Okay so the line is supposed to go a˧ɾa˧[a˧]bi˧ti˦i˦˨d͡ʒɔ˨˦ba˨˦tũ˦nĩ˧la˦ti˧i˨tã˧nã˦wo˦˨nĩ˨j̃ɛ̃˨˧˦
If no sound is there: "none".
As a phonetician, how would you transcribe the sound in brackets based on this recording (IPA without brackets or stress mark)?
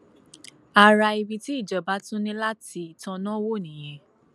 i˧